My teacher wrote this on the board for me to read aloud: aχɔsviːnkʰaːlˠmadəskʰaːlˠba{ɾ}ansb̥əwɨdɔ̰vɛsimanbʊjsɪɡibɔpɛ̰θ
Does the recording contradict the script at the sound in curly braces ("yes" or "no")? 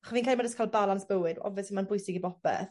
yes